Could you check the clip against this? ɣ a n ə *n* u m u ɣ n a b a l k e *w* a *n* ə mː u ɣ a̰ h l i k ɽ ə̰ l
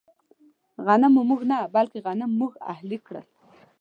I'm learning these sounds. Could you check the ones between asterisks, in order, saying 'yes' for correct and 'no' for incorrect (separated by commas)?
no, no, yes